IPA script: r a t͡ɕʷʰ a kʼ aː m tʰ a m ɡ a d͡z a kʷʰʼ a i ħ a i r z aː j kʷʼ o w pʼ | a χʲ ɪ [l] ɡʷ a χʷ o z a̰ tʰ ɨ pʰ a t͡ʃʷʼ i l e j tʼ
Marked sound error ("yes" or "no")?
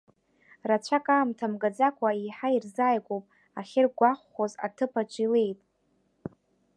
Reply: yes